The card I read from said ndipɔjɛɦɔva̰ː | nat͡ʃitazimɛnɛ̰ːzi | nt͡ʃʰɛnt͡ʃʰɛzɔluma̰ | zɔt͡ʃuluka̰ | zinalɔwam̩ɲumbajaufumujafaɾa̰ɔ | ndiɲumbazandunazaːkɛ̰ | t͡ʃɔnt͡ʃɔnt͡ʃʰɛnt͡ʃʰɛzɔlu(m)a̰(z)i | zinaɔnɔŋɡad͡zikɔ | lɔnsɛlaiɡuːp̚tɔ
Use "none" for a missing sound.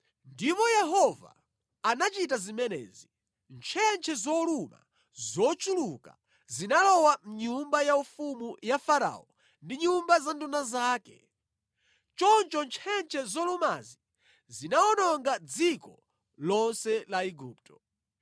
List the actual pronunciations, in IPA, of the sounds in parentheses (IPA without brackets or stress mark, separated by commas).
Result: m, z